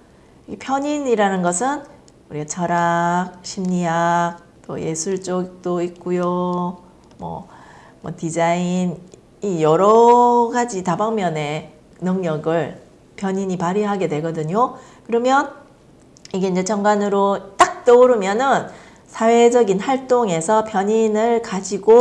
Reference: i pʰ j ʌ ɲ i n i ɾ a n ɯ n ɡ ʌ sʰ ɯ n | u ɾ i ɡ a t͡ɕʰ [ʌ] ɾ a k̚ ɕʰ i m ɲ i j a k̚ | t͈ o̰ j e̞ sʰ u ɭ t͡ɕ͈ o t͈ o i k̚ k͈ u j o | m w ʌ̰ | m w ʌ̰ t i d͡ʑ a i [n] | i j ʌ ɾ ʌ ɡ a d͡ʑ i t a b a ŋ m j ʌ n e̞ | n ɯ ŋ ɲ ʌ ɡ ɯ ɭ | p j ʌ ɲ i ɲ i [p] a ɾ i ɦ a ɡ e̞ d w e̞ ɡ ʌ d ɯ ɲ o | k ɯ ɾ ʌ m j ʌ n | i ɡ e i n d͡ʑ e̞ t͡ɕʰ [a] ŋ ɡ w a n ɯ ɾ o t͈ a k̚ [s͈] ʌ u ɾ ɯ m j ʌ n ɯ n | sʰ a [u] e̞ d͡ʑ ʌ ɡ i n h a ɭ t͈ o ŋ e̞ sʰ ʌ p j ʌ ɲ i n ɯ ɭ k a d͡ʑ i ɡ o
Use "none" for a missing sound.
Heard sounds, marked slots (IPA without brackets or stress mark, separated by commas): ʌ, n, p, ʌ, t͈, w